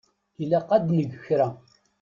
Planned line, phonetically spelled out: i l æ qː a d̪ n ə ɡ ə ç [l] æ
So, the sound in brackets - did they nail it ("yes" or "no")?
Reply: no